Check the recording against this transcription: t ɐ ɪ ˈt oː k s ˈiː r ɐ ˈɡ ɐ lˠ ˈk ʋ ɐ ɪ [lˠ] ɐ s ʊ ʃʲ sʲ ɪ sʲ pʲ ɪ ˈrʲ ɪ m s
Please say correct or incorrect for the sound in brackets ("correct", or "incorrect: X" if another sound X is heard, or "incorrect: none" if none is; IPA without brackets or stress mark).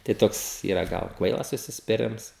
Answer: correct